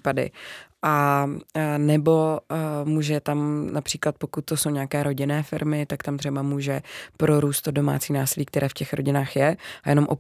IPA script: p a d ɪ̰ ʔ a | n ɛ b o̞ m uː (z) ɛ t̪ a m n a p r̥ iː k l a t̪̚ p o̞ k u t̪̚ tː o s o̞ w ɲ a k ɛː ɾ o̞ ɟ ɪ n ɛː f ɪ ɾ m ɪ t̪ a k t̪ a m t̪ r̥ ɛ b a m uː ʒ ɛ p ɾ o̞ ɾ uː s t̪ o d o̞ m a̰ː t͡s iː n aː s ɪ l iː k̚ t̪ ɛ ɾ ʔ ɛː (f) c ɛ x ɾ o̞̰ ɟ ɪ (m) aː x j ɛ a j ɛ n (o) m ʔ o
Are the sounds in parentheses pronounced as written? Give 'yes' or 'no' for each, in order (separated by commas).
no, yes, no, yes